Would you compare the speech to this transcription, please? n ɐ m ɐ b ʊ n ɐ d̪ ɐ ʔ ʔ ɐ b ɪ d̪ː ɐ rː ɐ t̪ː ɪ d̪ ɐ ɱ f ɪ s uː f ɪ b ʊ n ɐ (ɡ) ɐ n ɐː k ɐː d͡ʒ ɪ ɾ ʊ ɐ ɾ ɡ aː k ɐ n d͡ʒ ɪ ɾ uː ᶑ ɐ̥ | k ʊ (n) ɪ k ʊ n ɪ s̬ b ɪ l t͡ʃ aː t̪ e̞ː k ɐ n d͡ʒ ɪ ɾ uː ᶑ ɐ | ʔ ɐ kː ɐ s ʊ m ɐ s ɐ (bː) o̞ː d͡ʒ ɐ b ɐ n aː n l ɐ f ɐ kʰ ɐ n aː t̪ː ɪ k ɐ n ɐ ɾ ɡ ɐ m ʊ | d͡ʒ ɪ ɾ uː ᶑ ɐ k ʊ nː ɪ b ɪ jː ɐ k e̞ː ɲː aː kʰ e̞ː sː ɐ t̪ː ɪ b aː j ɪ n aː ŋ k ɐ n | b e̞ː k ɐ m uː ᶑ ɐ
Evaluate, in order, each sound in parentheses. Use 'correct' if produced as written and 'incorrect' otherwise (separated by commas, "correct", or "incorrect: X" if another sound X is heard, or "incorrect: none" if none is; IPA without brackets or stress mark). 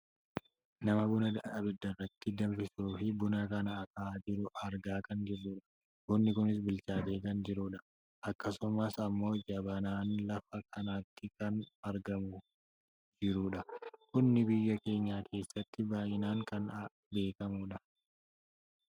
incorrect: k, incorrect: nː, incorrect: mː